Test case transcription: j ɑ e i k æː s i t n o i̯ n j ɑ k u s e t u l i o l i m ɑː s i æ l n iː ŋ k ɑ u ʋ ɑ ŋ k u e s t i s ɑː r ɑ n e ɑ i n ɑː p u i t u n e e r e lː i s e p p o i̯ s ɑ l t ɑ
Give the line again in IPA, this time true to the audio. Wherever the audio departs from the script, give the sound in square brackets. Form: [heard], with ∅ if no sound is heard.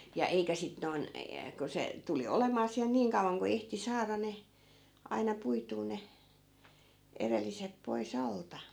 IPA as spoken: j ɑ e i k [æ] s i t n o i̯ n j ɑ k u s e t u l i o l [e] m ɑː s i æ l n iː ŋ k ɑ u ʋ ɑ ŋ k u e [h] t i s ɑː r ɑ n e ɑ i n [ɑ] p u i t [uː] n e e r e lː i s e p p o i̯ s ɑ l t ɑ

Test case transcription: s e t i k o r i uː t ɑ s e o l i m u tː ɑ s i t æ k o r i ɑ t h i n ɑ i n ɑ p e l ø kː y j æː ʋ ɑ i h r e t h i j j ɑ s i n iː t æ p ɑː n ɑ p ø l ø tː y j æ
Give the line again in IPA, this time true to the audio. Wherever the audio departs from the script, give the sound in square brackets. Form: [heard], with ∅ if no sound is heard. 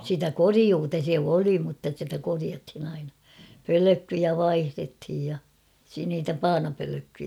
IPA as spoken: s [i] t [æ] k o r i uː t ɑ s e o l i m u tː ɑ s i t æ k o r i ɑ t h i n ɑ i n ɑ p [ø] l ø kː y j [æ] ʋ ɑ i h r e t h i j j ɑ s i n iː t æ p ɑː n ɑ p ø l ø [kː] y j æ

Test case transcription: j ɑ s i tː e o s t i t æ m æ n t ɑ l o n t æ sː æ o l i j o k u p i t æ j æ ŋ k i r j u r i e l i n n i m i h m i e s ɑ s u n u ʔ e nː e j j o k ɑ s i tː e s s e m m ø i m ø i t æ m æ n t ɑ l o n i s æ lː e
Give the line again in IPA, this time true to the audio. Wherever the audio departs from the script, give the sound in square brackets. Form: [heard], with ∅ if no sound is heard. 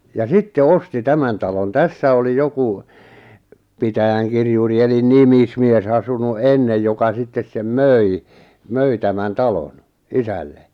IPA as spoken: j ɑ s i tː e o s t i t æ m æ n t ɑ l o n t æ sː æ o l i j o k u p i t æ j æ ŋ k i r j u r i e l i n n i m i [s] m i e s ɑ s u n u ʔ e nː e j j o k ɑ s i tː e s s e m m ø i m ø i t æ m æ n t ɑ l o n i s æ lː e

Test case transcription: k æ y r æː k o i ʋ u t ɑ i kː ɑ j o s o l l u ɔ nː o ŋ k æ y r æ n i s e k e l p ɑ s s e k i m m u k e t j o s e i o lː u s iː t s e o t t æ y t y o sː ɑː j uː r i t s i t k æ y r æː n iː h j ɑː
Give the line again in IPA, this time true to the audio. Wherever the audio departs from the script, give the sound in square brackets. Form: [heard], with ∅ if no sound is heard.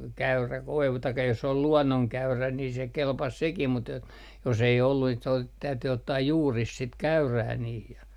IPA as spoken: k æ y r [æ] k o i ʋ u t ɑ i kː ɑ j o s o l l u ɔ nː o ŋ k æ y r æ n i s e k e l p ɑ s s e k i m m u [t] e t j o s e i o lː u s iː t s e o t t æ y t y o [tː] ɑː j uː r i [s] s i t k æ y r æː n iː h j [ɑ]

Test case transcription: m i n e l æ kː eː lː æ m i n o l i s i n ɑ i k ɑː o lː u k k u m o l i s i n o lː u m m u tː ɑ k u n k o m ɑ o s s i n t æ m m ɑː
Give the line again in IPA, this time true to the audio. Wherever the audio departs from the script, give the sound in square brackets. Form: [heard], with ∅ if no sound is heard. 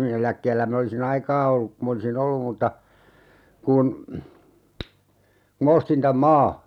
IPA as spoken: m i n e l æ kː eː lː æ m i n o l i s i n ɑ i k ɑː o lː u k k u m o l i s i n o lː u m m u tː ɑ k u n k [u] m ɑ o s [t] i n t æ m m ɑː

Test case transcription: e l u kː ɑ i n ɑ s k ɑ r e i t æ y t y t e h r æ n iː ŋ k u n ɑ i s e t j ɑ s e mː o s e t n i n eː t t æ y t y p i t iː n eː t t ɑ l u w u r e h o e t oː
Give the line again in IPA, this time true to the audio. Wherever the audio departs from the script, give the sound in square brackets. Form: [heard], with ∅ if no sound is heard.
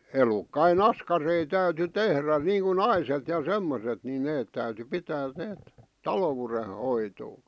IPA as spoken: e l u kː ɑ i n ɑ s k ɑ r e i t æ y t y t e h r æ n iː ŋ k u n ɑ i s e t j ɑ s e mː o s e t n i n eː t t æ y t y p i t [æː] n eː t t ɑ l [o] w u r e h o [i] t oː

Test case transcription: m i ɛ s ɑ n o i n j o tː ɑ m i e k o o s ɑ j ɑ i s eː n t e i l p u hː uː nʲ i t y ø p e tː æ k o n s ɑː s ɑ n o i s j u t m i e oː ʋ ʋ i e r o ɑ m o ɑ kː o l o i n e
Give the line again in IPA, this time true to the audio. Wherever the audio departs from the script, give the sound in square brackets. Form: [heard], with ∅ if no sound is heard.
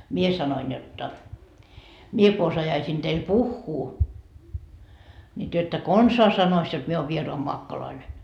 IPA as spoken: m i [e] s ɑ n o i n j o tː ɑ m i e k o o s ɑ j ɑ i s [iː] n t e i l p u hː uː nʲ i t y ø [∅] e tː æ k o n s ɑː s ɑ n o i s j [o] t m i e oː ʋ ʋ i e r o ɑ m o ɑ kː o l o i n e

